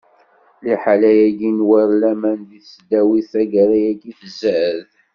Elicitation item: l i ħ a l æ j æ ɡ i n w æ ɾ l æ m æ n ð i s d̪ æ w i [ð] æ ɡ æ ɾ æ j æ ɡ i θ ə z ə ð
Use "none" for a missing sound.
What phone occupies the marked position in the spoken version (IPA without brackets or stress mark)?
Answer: θ